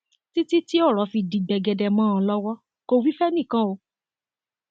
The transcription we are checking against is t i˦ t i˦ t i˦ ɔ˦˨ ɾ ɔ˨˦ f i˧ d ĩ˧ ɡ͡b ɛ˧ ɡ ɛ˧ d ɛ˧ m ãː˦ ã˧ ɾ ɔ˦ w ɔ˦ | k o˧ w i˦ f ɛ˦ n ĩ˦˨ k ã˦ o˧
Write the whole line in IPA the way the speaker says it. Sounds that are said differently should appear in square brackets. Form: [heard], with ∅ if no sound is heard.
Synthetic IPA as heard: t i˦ t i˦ t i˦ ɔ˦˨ ɾ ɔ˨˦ f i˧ d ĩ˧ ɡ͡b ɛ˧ ɡ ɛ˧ d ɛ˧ m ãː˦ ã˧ [l] ɔ˦ w ɔ˦ | k o˧ w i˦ f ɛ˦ n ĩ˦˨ k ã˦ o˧